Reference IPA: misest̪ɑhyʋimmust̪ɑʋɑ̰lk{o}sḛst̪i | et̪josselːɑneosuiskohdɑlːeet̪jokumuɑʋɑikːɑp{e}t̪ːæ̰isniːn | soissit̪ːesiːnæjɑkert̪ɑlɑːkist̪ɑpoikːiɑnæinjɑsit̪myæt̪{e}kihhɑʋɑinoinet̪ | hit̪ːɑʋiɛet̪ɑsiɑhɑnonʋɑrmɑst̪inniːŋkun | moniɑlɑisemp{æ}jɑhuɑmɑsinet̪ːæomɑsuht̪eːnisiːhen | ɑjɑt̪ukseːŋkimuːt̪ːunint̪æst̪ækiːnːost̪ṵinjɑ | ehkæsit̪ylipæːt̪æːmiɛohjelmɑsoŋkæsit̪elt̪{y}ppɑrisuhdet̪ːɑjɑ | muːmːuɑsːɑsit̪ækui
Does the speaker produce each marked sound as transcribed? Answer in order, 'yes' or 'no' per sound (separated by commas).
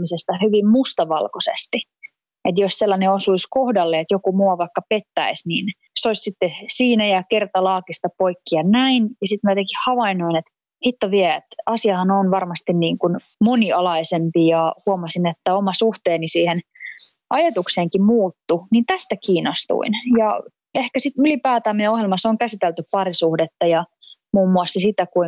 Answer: yes, yes, yes, no, yes